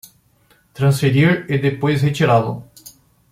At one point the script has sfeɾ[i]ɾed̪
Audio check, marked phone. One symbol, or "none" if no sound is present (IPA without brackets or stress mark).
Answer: i